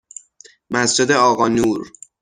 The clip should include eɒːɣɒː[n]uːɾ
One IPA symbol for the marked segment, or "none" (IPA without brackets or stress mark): n